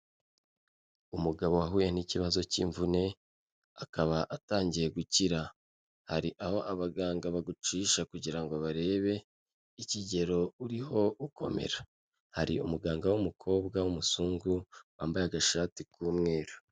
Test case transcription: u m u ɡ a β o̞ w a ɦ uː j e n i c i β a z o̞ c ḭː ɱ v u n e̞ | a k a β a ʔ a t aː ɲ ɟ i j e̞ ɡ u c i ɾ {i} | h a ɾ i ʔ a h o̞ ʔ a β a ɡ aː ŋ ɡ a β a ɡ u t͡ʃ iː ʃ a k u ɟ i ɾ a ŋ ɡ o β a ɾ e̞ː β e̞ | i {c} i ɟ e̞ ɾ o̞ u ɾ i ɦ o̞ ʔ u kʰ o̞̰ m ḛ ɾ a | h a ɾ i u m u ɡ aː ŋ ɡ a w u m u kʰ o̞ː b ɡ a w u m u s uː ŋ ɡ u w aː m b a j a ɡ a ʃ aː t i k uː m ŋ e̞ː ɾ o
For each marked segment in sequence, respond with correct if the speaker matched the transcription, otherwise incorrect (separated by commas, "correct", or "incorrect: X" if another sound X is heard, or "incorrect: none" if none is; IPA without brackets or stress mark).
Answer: incorrect: a, correct